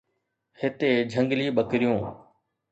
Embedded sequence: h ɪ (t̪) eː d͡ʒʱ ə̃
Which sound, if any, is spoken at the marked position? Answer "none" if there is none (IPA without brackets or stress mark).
t̪